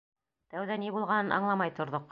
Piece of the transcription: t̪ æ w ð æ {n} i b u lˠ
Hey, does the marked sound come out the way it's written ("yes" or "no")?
yes